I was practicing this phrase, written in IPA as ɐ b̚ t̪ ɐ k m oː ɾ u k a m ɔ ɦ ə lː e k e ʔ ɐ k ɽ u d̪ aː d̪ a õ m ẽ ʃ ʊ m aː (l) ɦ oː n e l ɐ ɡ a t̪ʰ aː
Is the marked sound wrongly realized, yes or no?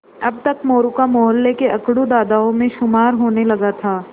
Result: yes